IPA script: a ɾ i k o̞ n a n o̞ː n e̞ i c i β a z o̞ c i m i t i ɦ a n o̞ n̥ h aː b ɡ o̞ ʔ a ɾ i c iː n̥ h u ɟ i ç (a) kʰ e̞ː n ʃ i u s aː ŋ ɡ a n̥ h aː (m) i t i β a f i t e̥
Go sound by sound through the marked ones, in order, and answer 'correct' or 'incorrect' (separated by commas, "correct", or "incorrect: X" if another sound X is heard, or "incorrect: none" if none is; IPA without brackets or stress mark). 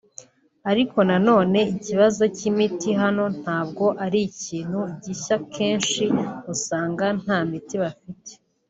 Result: correct, correct